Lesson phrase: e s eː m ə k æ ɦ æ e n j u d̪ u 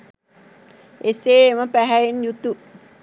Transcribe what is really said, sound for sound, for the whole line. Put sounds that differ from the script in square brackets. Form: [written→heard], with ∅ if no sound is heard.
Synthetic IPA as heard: e s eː m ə [k→p] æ ɦ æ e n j u [d̪→t̪] u